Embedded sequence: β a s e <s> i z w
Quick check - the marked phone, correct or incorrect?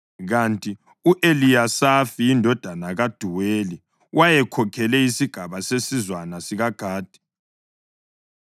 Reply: correct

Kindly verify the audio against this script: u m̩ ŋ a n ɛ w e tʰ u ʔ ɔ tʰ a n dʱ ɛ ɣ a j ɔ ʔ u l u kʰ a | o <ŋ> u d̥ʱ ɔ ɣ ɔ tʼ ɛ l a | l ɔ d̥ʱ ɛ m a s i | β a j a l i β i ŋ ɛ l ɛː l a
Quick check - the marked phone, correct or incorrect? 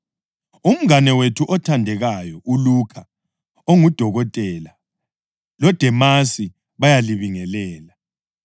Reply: correct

